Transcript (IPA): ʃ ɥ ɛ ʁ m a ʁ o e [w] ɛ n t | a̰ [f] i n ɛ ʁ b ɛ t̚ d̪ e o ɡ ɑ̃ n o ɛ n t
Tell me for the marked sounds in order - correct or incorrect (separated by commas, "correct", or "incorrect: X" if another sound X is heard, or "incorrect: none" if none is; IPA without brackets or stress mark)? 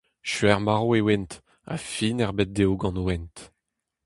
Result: correct, correct